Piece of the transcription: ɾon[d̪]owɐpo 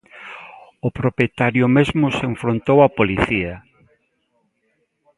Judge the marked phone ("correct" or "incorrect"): incorrect